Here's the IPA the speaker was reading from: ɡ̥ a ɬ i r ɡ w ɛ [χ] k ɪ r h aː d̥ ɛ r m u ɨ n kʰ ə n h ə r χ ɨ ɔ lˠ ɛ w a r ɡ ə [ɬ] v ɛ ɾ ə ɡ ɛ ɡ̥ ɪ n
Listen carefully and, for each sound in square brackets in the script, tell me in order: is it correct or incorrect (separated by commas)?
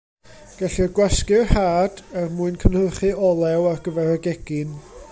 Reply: incorrect, incorrect